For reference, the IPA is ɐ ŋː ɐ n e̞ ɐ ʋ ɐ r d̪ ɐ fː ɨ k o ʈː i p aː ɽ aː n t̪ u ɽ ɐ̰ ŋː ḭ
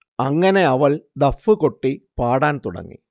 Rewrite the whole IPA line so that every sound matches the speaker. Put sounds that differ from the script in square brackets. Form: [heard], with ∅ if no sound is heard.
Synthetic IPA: ɐ ŋː ɐ n e̞ ɐ ʋ ɐ [l] d̪ ɐ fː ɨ k o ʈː i p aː ɽ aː n t̪ u ɽ ɐ̰ ŋː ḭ